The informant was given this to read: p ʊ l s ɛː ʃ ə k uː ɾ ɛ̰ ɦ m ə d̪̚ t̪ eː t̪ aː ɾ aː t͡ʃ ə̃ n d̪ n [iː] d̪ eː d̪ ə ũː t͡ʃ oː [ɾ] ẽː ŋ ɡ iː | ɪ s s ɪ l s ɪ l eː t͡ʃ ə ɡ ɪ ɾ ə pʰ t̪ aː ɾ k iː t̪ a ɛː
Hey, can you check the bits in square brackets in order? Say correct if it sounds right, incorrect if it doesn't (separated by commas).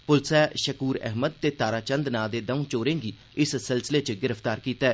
incorrect, correct